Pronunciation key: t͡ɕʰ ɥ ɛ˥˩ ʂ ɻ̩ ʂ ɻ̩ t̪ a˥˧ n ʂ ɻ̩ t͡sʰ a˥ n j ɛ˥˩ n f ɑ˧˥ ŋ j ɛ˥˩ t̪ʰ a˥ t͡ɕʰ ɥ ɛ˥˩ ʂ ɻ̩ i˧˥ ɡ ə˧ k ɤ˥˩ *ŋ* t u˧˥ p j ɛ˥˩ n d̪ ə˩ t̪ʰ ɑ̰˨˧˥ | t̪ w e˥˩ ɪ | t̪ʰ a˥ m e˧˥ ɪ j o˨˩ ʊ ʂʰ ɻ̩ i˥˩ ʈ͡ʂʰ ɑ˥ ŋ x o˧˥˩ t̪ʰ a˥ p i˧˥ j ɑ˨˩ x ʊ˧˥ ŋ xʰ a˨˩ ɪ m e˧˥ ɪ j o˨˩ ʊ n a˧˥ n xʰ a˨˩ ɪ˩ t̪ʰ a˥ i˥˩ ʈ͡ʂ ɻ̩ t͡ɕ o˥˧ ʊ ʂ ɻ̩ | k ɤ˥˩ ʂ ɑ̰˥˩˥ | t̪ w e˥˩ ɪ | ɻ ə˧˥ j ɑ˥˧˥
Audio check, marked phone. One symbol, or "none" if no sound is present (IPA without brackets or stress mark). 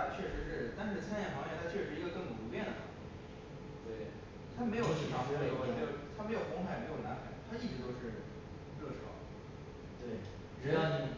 ŋ